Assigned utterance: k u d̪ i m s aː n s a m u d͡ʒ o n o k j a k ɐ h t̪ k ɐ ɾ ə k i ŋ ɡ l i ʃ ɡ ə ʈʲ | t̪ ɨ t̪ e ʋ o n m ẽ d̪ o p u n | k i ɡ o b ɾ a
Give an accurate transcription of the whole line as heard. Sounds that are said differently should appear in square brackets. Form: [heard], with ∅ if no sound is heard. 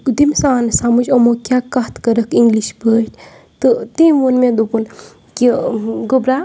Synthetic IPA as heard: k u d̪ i m s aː n s a m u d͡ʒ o [m] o k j a k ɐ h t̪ k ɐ ɾ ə k i ŋ ɡ l i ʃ [b] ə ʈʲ | t̪ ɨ t̪ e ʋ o n m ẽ d̪ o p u n | k i ɡ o b ɾ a